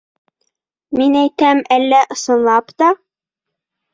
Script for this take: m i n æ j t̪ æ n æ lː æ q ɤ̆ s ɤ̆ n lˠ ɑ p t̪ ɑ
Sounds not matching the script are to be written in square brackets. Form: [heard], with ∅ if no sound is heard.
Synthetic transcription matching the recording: m i n æ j t̪ æ [m] æ lː æ [ʔ] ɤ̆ s ɤ̆ n lˠ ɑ p t̪ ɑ